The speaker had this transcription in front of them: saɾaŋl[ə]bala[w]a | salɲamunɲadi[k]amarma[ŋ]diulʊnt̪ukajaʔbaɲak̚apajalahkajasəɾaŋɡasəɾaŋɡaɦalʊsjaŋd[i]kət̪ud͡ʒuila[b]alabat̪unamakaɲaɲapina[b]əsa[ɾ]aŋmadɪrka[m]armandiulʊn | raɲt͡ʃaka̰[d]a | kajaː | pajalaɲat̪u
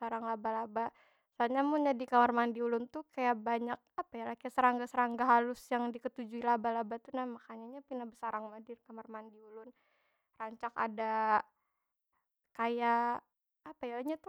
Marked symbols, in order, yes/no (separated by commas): no, no, yes, no, yes, yes, yes, yes, yes, yes